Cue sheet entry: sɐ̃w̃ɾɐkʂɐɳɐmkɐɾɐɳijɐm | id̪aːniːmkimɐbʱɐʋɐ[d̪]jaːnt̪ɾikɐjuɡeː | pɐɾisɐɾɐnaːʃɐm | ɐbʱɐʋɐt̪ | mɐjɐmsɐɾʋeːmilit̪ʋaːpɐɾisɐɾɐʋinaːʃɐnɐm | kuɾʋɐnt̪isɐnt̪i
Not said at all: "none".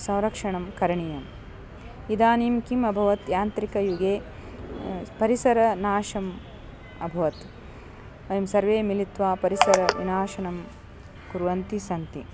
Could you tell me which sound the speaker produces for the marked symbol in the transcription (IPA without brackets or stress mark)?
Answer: t̪